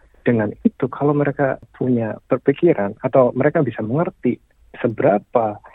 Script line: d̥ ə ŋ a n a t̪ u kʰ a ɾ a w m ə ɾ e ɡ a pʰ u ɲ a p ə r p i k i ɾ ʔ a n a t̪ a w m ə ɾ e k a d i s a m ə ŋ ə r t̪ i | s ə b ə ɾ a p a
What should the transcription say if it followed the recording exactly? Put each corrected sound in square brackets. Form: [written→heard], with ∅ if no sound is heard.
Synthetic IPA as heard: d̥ ə ŋ a n [a→i] t̪ u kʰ a [ɾ→l] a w m ə ɾ e [ɡ→k] a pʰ u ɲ a p ə r p i k i ɾ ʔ a n a t̪ a w m ə ɾ e k a [d→b] i s a m ə ŋ ə r t̪ i | s ə b ə ɾ a p a